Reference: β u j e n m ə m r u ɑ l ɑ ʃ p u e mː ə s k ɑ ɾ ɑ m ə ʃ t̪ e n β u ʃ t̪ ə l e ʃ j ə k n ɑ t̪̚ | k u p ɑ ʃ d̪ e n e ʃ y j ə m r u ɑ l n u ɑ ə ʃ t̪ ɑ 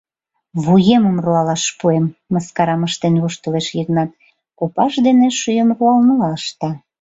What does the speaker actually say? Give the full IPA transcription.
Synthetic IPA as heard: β u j e m ə m r u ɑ l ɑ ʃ p u e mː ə s k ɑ ɾ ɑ m ə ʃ t̪ e n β u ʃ t̪ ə l e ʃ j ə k n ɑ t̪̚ | k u p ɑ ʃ d̪ e n e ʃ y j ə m r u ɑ l n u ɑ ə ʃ t̪ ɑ